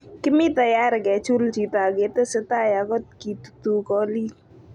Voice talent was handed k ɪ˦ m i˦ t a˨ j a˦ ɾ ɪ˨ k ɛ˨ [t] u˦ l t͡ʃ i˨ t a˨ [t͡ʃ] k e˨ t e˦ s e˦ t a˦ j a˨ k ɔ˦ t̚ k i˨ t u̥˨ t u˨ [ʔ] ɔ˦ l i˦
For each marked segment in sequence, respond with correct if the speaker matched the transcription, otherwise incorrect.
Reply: incorrect, incorrect, incorrect

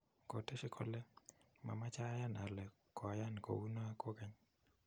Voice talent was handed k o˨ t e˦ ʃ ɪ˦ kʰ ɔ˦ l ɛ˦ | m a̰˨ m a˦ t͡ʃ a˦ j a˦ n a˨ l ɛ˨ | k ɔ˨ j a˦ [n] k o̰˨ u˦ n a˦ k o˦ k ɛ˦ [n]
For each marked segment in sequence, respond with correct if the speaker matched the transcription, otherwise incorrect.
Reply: correct, incorrect

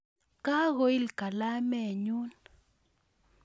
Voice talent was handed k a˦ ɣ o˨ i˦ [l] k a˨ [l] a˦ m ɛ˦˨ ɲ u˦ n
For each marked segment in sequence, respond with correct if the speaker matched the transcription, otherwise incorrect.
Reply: correct, correct

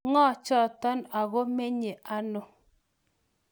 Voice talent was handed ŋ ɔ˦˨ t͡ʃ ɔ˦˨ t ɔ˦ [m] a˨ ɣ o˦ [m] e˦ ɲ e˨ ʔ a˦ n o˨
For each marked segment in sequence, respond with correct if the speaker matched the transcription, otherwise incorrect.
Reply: incorrect, correct

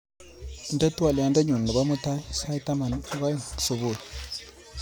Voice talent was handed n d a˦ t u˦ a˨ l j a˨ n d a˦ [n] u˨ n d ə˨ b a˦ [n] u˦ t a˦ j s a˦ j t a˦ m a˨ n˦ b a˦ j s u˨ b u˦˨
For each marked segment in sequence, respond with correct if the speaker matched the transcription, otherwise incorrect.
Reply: incorrect, incorrect

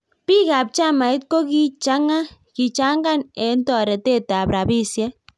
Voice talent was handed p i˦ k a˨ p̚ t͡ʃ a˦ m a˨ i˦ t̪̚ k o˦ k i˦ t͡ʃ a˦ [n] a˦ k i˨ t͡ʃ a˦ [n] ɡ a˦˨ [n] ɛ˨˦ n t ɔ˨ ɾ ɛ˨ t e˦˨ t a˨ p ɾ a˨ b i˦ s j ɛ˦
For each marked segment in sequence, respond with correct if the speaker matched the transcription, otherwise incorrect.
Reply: incorrect, incorrect, correct

